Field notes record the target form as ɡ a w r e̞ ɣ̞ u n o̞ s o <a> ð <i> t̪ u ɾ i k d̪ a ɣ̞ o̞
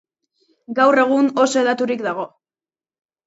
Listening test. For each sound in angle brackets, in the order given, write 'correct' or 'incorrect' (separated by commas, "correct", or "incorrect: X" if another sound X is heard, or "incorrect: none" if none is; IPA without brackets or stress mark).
incorrect: e, incorrect: a